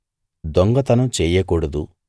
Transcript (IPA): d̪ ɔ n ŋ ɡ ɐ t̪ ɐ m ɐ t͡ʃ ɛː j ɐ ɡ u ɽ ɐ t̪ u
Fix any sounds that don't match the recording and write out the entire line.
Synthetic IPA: d̪ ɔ ŋ ɡ ɐ t̪ ɐ n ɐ t͡ʃ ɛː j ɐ k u ɽ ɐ d̪ u